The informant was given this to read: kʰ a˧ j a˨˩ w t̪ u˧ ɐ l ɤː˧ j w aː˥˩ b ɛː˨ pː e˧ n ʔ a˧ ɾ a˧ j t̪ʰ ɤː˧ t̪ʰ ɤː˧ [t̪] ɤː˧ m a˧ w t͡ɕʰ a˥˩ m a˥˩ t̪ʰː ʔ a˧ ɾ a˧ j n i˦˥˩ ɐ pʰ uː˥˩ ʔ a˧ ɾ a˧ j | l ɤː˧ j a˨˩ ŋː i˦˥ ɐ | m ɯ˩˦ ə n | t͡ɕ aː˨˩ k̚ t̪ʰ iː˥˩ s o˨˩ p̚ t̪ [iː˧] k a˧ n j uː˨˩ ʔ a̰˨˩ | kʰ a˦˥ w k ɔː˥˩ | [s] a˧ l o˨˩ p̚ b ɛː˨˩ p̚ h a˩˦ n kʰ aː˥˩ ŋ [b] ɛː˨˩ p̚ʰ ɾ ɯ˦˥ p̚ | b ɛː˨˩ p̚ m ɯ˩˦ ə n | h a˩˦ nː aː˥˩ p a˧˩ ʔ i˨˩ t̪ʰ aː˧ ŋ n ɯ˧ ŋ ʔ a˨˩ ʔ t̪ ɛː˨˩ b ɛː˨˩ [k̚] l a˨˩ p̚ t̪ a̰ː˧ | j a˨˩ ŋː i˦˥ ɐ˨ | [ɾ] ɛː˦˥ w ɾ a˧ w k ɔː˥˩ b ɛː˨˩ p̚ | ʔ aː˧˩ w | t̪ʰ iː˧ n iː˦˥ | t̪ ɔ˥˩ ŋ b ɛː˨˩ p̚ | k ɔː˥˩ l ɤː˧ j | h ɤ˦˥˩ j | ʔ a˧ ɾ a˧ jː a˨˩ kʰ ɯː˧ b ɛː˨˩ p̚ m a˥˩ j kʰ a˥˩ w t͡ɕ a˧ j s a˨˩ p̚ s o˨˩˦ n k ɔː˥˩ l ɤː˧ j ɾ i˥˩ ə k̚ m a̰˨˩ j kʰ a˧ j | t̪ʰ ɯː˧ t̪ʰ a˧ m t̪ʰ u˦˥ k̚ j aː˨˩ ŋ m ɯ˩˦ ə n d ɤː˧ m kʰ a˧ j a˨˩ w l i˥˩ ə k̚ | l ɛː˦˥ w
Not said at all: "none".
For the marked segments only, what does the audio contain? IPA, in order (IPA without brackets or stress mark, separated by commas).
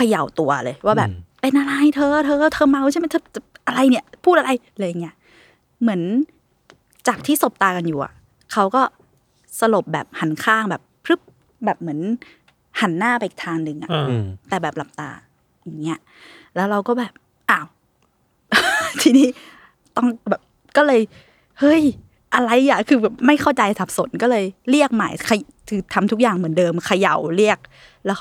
t̪ʰ, aː˧, s, b, p̚, l